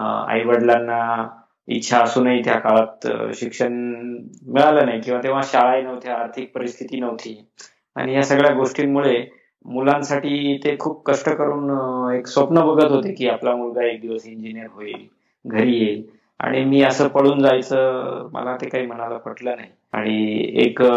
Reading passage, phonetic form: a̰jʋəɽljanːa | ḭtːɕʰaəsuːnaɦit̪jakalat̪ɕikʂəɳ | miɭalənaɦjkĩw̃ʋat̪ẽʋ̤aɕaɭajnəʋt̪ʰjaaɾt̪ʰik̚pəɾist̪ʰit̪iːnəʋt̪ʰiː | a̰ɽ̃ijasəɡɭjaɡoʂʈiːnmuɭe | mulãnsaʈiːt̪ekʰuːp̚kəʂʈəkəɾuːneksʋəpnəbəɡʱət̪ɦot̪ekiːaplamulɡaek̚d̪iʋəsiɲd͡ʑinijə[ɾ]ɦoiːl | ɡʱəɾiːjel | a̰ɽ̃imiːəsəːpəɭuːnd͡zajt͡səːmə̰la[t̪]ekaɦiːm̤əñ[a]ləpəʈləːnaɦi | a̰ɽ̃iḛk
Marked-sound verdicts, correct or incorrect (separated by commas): correct, correct, correct